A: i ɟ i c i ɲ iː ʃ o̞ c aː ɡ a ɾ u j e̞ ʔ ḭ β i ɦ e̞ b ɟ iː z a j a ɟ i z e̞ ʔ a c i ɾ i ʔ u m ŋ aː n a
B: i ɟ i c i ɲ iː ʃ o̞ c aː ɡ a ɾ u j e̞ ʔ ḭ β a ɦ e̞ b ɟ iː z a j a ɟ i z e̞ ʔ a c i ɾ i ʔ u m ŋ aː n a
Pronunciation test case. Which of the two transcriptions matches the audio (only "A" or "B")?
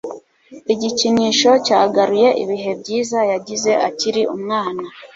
A